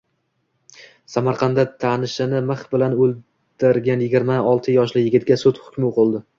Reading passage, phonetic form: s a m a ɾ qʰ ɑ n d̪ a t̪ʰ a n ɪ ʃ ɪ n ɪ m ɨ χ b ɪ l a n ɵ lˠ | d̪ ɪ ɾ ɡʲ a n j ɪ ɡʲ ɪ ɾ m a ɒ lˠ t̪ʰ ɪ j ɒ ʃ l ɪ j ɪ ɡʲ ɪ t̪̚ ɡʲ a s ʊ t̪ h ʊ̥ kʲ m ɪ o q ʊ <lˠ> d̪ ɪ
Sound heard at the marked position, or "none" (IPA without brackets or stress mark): lˠ